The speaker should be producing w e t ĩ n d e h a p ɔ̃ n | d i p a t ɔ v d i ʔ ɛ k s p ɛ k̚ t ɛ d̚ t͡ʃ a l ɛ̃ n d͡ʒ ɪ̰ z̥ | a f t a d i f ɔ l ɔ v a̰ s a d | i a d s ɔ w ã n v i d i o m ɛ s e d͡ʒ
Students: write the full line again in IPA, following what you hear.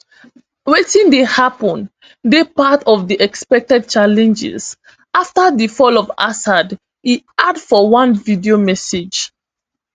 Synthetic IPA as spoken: w e t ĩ n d e h a p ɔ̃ n | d e p a t ɔ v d i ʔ ɛ k s p ɛ k̚ t ɛ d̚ t͡ʃ a l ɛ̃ n d͡ʒ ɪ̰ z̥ | a f t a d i f ɔ l ɔ v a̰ s a d | i a d f ɔ w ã n v i d i o m ɛ s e d͡ʒ